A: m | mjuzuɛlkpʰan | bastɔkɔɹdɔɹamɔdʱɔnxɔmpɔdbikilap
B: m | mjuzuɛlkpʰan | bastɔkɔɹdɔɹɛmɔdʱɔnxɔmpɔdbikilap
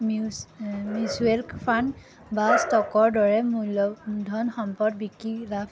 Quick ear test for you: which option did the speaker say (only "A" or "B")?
B